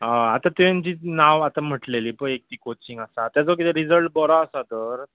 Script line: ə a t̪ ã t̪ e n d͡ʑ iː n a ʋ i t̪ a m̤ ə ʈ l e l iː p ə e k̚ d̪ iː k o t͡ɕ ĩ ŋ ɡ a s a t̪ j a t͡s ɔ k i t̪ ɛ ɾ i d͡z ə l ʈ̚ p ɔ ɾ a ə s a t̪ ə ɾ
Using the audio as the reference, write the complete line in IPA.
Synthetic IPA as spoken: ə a t̪ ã t̪ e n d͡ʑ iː n a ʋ a t̪ a m̤ ə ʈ l e l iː p ə e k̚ t̪ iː k o t͡ɕ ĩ ŋ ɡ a s a t̪ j a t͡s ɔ k i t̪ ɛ ɾ i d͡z ə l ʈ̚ b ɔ ɾ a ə s a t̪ ə ɾ